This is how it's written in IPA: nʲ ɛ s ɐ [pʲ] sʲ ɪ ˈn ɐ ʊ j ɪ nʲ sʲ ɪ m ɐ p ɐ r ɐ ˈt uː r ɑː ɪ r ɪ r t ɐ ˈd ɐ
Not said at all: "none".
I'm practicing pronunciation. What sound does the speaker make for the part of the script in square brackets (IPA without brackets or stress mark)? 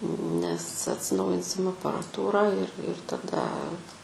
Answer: tʲ